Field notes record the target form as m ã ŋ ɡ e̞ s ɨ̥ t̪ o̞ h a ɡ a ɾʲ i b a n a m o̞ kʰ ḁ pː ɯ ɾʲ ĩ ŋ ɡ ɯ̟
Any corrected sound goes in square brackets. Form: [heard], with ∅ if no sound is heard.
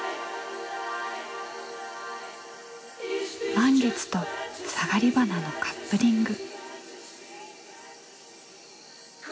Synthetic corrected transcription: m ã ŋ ɡ e̞ [t͡s] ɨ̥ t̪ o̞ [s] a ɡ a ɾʲ i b a n a [n] o̞ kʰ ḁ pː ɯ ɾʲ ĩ ŋ ɡ ɯ̟